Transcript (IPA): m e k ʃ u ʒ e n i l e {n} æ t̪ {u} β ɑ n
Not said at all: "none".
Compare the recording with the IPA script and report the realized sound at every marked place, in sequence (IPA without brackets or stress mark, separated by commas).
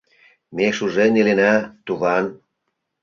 n, u